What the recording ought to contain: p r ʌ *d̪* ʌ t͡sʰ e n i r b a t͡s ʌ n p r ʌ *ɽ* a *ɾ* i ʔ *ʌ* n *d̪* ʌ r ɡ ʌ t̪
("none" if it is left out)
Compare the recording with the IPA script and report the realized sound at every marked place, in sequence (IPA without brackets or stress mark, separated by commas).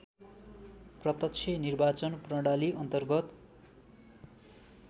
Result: t̪, ɽ, l, ʌ, t̪